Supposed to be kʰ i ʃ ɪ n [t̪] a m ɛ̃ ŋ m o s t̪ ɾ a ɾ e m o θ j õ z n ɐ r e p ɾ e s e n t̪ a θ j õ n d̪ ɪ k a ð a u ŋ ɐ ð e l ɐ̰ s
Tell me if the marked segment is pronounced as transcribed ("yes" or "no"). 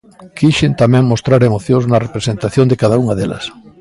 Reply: yes